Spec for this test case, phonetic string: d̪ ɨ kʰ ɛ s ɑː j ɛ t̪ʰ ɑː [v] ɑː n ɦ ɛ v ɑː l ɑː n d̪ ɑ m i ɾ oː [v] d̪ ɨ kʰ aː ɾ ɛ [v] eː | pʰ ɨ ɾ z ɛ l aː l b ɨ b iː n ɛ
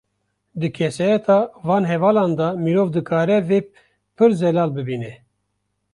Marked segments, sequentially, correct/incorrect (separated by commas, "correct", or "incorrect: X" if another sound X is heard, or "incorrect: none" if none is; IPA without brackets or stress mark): correct, correct, correct